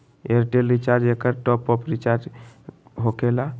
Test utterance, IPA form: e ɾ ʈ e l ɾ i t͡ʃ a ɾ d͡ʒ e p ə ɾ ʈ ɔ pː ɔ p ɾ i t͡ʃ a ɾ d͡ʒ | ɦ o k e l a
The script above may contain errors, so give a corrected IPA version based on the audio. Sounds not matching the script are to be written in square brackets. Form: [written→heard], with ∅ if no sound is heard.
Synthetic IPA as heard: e ɾ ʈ e l ɾ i t͡ʃ a ɾ d͡ʒ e [p→k] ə ɾ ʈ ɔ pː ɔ p ɾ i t͡ʃ a ɾ d͡ʒ | ɦ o k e l a